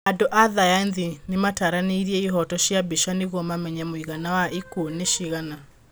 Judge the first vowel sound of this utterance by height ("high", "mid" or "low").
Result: low